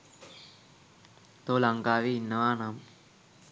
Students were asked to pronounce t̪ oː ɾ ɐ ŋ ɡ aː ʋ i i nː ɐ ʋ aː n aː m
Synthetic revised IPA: t̪ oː l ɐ ŋ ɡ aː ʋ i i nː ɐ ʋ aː n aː m